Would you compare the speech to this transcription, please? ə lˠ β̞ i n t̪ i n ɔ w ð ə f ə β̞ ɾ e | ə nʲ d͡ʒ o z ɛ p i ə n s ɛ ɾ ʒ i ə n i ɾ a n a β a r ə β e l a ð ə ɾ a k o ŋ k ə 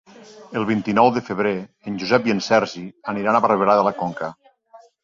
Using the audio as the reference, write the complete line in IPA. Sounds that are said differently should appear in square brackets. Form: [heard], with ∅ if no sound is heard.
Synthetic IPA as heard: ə lˠ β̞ i n t̪ i n ɔ w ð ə f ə β̞ ɾ e | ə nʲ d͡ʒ [u] z ɛ p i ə n s ɛ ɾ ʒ i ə n i ɾ a n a β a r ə β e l a ð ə [l] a k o ŋ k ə